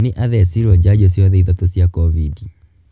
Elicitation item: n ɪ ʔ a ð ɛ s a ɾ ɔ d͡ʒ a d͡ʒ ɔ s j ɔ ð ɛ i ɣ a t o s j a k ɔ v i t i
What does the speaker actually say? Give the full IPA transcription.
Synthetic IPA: n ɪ ʔ a ð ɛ s i ɾ ɔ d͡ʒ a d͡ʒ ɔ s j ɔ ð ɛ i ð a t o s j a k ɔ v i d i